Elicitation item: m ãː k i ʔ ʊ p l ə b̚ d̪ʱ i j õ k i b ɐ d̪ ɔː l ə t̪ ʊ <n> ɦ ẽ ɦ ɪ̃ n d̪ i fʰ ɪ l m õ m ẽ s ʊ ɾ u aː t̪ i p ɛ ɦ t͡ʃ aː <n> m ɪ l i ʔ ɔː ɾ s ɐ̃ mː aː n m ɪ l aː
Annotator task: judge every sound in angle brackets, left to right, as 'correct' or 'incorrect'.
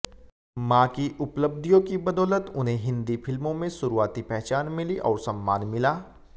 correct, correct

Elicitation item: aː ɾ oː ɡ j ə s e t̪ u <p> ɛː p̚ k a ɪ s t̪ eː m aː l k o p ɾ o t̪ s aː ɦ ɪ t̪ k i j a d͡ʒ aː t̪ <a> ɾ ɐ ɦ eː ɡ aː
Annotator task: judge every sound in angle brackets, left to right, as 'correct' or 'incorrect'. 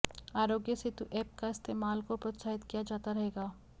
incorrect: ʔ, correct

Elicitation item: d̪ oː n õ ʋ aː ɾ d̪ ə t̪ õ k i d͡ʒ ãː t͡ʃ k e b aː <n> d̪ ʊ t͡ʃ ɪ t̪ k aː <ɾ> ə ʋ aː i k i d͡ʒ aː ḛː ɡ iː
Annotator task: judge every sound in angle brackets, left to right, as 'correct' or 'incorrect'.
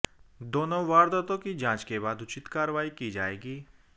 incorrect: none, correct

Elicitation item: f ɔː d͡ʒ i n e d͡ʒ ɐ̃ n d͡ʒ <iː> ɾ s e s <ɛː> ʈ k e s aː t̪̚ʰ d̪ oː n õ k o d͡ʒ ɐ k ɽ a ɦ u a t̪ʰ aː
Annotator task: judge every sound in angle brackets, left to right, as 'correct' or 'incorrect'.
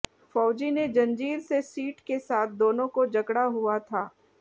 correct, incorrect: iː

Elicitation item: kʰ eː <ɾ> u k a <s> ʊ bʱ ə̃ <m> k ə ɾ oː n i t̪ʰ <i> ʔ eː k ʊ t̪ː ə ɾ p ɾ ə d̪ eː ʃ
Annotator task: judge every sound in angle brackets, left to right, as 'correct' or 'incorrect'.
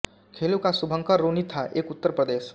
incorrect: l, correct, incorrect: ŋ, incorrect: a

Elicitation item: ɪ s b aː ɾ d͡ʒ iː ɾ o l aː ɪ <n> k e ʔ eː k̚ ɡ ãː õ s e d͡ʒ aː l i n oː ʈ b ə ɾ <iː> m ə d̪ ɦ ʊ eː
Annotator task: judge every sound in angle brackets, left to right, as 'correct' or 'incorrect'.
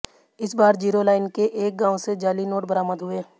correct, incorrect: aː

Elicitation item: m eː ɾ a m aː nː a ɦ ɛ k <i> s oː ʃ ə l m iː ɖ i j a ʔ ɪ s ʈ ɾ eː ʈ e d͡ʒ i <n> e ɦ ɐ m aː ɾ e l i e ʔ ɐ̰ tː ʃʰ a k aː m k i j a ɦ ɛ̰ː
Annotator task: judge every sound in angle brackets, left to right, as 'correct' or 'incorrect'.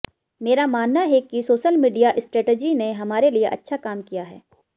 correct, correct

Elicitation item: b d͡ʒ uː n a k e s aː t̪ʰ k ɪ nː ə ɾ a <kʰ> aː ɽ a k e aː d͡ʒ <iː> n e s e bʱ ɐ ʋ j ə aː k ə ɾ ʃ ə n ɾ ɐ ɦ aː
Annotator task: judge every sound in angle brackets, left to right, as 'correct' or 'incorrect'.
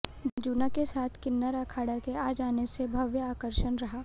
correct, incorrect: aː

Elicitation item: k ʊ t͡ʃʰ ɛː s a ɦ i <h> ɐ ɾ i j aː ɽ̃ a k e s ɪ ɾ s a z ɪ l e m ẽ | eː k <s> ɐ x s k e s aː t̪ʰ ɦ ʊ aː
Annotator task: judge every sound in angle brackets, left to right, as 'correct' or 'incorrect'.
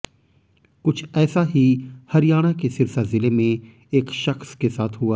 correct, incorrect: ʃ

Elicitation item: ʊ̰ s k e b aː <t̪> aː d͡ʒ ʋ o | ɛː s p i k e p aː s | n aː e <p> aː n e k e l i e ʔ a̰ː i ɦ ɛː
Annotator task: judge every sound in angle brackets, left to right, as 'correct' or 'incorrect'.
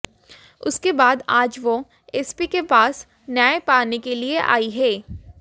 incorrect: d̪, correct

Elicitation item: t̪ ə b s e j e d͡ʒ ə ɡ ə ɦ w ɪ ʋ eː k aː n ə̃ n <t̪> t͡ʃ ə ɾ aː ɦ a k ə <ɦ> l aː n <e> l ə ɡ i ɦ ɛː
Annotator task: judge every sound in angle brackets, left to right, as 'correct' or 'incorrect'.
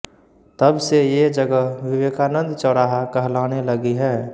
incorrect: d̪, correct, correct

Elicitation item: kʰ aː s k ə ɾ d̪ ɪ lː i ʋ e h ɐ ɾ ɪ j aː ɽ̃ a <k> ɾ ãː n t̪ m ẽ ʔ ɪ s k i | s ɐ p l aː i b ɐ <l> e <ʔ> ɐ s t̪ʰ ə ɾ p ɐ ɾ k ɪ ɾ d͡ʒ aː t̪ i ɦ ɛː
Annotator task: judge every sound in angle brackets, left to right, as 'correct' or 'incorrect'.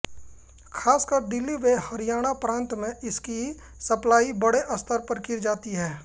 incorrect: p, incorrect: ɽ, correct

